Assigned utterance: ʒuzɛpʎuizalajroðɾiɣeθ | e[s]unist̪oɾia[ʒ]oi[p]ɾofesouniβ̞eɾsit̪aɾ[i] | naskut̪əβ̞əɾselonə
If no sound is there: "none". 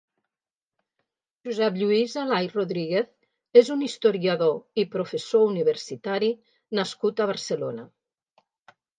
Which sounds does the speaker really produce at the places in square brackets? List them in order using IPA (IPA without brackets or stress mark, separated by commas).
z, ð, p, i